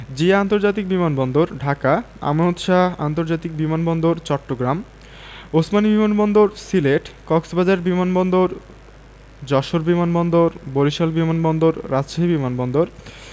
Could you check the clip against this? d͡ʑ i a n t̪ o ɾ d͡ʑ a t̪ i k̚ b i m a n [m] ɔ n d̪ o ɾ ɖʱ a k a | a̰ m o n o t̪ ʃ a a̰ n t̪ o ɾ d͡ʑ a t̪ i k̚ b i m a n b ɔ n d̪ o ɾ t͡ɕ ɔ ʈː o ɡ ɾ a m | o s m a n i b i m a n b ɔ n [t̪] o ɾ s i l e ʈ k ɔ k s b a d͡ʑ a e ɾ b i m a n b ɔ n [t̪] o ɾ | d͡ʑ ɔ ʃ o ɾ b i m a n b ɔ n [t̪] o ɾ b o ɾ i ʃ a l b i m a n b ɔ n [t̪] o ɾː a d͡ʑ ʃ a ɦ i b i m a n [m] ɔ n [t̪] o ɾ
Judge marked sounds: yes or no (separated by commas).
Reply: no, no, no, no, no, no, no